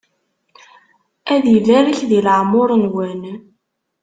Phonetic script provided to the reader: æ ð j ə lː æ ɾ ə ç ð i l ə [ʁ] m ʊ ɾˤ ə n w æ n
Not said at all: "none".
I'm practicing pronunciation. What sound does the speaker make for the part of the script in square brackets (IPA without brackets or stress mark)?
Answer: ʕ